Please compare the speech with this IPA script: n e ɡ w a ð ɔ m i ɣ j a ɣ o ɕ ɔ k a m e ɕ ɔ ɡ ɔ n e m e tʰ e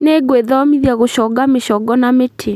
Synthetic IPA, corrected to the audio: n e ɡ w e ð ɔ m i ð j a ɣ o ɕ ɔ ɡ a m e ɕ ɔ ɡ ɔ n a m e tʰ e